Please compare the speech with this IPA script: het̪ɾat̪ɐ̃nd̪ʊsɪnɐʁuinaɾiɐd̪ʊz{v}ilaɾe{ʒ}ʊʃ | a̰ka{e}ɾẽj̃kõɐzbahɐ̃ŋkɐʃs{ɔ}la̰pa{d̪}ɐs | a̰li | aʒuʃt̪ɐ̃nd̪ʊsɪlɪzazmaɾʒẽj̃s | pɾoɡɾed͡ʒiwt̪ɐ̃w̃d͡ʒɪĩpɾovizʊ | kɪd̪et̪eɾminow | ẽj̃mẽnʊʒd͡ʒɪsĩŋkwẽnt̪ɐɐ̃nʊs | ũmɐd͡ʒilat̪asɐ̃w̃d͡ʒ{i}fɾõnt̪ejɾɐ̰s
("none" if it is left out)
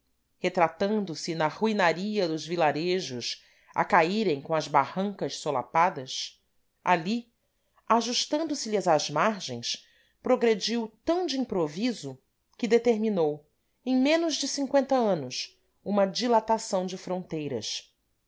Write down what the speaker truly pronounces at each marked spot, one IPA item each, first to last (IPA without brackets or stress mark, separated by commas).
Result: v, ʒ, i, o, d̪, ɪ